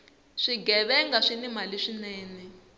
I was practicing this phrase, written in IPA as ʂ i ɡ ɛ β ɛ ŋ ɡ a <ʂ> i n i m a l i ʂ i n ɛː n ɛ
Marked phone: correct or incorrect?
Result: correct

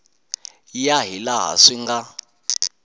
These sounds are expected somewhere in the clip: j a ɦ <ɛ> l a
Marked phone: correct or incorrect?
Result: incorrect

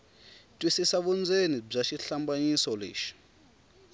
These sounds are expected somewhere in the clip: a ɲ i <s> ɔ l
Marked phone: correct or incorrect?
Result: correct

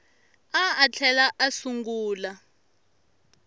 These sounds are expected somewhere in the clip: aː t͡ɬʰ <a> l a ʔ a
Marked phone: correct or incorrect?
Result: incorrect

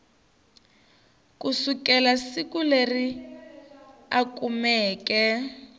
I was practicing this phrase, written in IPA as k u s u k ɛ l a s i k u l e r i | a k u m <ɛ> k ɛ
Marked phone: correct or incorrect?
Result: incorrect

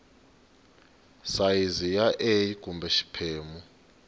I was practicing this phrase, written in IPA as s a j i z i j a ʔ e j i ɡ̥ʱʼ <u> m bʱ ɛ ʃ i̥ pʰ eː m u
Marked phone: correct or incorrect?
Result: correct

